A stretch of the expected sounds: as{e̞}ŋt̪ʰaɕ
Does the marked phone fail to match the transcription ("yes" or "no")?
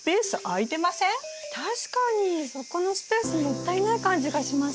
yes